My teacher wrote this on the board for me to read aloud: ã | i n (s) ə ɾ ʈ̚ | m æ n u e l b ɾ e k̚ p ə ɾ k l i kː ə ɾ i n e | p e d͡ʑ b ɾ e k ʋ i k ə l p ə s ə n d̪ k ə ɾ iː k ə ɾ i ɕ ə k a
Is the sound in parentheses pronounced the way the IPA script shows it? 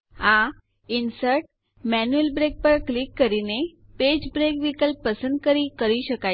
yes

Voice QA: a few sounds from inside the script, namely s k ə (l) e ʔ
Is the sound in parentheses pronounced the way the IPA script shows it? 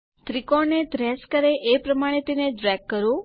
no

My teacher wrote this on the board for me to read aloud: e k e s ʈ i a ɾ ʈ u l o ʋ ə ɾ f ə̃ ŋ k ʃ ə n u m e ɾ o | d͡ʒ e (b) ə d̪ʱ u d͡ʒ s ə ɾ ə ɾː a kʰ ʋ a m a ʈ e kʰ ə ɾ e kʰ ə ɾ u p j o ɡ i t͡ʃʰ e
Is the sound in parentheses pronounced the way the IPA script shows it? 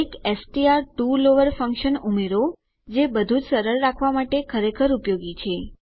yes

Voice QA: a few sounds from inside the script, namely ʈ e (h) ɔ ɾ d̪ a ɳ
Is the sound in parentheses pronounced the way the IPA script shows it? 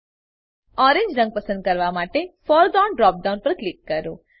no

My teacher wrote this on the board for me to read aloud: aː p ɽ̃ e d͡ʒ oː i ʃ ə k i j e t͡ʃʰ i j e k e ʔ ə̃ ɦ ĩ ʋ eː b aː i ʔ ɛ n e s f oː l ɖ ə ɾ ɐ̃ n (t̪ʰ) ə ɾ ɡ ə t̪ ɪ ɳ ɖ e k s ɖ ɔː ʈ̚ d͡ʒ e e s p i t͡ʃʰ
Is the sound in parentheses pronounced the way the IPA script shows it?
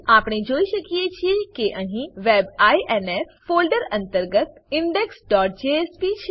no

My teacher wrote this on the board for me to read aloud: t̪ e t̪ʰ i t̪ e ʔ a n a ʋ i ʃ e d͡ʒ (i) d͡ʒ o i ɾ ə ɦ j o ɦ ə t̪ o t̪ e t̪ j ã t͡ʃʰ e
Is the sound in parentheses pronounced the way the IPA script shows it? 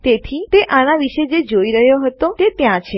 no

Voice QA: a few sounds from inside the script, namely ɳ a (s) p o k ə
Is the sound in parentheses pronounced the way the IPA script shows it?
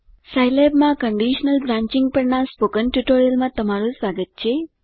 yes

